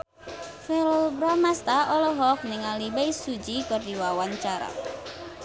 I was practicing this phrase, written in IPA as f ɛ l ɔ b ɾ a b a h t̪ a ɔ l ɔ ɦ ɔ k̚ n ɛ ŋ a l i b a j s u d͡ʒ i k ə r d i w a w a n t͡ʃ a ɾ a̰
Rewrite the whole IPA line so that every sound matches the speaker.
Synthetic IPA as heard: f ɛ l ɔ b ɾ a m a s t̪ a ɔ l ɔ ɦ ɔ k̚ n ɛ ŋ a l i b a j s u d͡ʒ i k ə r d i w a w a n t͡ʃ a ɾ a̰